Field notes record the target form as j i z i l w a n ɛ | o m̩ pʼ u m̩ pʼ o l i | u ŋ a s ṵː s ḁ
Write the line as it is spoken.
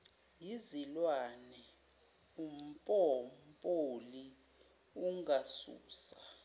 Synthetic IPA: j i z i l w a n ɛ | u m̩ pʼ ɔ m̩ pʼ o l i | u ŋ a s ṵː s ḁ